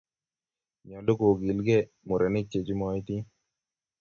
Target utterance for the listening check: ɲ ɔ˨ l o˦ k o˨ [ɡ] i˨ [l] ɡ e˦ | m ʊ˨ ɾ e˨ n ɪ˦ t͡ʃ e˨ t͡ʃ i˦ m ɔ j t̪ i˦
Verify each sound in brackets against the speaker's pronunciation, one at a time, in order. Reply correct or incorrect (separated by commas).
correct, correct